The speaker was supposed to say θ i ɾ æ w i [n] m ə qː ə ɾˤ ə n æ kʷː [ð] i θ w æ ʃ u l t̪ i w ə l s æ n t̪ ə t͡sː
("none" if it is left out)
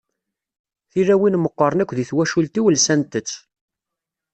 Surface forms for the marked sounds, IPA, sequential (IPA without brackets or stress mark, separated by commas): n, ð